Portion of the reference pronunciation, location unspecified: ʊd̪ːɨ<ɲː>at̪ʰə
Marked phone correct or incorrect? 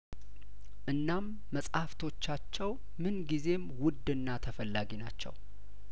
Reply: incorrect